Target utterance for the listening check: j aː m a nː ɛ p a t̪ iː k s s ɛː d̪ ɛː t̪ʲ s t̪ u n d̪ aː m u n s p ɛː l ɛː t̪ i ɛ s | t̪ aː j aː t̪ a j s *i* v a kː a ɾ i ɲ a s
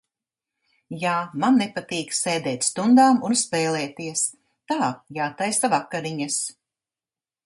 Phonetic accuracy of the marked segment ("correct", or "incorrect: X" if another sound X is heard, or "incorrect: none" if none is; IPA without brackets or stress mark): incorrect: a